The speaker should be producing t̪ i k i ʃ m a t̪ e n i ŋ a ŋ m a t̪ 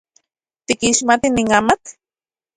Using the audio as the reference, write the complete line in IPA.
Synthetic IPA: t̪ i k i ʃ m a t̪ i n i ŋ a m a t̪

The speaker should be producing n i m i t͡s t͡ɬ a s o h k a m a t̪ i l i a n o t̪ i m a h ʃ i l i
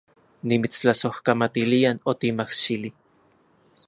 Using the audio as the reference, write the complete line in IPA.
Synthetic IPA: n i m i t͡s t͡ɬ a s o h k a m a t̪ i l i a n o t̪ i m a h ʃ i l i

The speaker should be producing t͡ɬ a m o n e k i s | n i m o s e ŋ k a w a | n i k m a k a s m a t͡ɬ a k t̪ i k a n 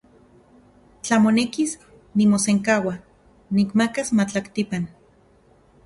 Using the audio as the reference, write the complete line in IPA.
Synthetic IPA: t͡ɬ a m o n e k i s | n i m o s e ŋ k a w a | n i k m a k a s m a t͡ɬ a k t̪ i p a n

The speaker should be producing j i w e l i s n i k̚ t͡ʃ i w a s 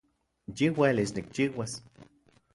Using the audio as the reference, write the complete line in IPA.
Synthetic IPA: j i w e l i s n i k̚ t͡ʃ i w a s

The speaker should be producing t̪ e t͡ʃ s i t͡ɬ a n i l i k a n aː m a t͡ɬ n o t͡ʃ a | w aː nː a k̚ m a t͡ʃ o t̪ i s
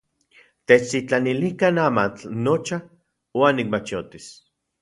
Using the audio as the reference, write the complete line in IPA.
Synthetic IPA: t̪ e t͡ʃ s i t͡ɬ a n i l i k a n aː m a t͡ɬ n o t͡ʃ a | w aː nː i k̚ m a t͡ʃ o t̪ i s

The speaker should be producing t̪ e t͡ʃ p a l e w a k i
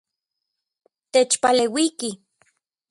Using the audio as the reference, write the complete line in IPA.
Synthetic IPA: t̪ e t͡ʃ p a l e w i k i

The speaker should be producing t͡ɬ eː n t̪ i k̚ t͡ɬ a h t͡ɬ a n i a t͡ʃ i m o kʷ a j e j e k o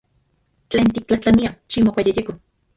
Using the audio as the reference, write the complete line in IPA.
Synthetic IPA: t͡ɬ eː n t̪ i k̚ t͡ɬ a h t͡ɬ a n i a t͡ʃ i m o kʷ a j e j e k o

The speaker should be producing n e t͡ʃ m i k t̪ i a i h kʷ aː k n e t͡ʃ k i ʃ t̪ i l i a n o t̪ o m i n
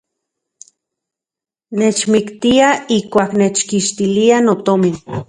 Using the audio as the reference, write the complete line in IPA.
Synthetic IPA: n e t͡ʃ m i k t̪ i a i h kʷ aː k n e t͡ʃ k i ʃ t̪ i l i a n o t̪ o m i n

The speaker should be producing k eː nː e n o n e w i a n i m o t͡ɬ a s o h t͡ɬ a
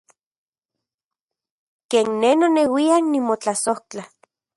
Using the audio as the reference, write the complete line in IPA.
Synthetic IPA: k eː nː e n o n e w i a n i m o t͡ɬ a s o h t͡ɬ a

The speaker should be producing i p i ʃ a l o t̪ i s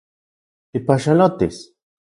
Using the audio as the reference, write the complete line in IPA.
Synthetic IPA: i p a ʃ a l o t̪ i s

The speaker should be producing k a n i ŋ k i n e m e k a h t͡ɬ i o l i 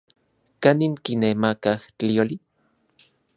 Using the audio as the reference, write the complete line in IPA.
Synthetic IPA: k a n i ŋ k i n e m a k a h t͡ɬ i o l i

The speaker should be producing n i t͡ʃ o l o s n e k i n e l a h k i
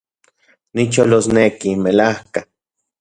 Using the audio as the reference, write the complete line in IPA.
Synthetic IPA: n i t͡ʃ o l o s n e k i m e l a h k a

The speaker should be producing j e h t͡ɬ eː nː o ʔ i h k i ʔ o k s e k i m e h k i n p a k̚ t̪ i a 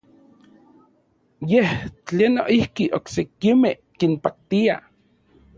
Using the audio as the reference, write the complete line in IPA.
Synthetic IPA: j e h t͡ɬ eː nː o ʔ i h k i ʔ o k s e k i m e h k i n p a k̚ t̪ i a

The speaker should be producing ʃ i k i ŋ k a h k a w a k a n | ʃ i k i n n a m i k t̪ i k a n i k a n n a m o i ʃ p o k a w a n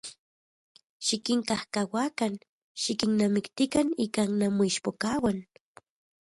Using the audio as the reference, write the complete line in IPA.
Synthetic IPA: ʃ i k i ŋ k a h k a w a k a n | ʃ i k i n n a m i k t̪ i k a n i k a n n a m o i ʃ p o k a w a n

